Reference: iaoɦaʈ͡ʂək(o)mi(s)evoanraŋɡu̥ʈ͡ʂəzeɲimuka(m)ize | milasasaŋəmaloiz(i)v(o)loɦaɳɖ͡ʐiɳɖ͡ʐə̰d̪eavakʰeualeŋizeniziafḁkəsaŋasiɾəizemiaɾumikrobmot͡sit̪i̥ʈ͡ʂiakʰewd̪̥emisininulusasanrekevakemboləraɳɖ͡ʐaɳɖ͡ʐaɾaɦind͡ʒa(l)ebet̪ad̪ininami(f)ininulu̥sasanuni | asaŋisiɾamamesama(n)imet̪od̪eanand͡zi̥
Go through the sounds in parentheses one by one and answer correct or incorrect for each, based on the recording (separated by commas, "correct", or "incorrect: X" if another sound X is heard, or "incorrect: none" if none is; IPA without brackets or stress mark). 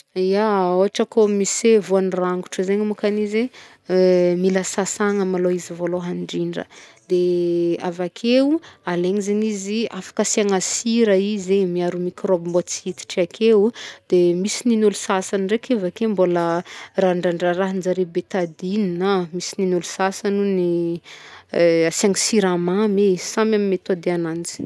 correct, correct, incorrect: n, correct, correct, incorrect: ɾ, incorrect: s, incorrect: m